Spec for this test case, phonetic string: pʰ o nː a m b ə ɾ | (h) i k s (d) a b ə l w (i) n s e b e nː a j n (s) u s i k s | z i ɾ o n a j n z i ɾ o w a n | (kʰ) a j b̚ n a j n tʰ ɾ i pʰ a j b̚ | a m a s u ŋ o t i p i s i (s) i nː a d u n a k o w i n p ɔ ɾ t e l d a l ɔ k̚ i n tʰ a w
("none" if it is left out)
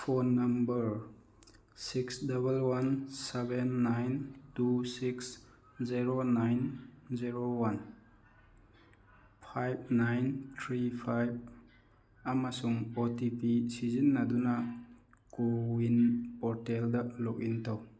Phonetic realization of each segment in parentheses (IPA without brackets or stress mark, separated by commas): s, d, a, t, pʰ, z